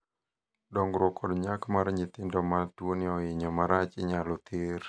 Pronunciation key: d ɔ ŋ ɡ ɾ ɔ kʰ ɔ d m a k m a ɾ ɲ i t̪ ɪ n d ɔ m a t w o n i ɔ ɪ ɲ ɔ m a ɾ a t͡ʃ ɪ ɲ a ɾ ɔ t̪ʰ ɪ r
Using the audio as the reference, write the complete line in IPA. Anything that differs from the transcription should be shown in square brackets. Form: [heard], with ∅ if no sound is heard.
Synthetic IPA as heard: d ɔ ŋ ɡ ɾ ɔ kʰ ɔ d [ɲ] a k m a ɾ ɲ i t̪ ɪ n d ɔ m a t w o n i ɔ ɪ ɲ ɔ m a ɾ a t͡ʃ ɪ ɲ a [l] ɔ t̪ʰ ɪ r